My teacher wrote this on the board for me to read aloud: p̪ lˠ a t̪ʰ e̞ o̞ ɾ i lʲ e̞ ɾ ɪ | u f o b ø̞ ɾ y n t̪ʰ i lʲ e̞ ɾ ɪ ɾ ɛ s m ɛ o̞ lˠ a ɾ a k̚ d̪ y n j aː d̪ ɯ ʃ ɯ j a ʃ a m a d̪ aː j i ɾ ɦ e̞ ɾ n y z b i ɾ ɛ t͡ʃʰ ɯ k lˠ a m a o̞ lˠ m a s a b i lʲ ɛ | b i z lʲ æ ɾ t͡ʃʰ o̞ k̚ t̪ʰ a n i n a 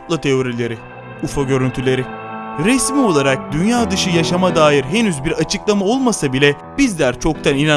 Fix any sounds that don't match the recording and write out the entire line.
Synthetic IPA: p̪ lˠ a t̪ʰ e̞ o̞ ɾ i lʲ e̞ ɾ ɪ | u f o ɟ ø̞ ɾ y n t̪ʰ y lʲ e̞ ɾ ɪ ɾ ɛ s m i o̞ lˠ a ɾ a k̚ d̪ y n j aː d̪ ɯ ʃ ɯ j a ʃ a m a d̪ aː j i ɾ ɦ e̞ n y z b i ɾ a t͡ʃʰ ɯ k lˠ a m a o̞ lˠ m a s a b i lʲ ɛ | b i z lʲ æ ɾ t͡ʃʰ o̞ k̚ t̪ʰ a n i n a